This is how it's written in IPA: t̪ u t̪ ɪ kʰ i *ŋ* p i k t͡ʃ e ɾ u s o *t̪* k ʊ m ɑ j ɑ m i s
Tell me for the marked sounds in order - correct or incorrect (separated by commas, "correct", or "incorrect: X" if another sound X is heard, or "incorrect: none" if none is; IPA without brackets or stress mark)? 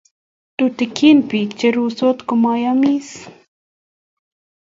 incorrect: n, correct